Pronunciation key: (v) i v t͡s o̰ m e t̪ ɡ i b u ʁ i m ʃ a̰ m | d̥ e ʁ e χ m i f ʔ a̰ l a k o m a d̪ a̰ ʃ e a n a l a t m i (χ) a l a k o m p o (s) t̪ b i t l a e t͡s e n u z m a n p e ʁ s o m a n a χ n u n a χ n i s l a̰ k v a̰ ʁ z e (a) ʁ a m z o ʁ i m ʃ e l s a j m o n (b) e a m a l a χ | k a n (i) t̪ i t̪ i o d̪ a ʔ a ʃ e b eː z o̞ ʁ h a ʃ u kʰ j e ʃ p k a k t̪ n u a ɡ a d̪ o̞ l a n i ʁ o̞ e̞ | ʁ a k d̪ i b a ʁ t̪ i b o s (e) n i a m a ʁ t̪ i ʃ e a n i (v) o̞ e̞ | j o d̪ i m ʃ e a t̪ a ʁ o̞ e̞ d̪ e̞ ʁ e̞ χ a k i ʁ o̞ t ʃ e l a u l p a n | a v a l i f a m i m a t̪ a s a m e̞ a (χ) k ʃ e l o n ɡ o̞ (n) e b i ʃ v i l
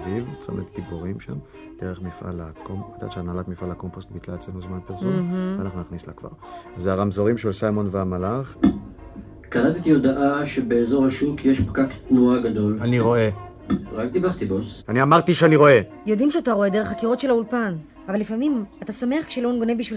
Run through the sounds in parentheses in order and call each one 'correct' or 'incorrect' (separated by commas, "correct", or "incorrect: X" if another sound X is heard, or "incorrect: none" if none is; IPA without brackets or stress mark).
correct, incorrect: f, correct, correct, incorrect: v, incorrect: a, incorrect: a, incorrect: ʁ, correct, correct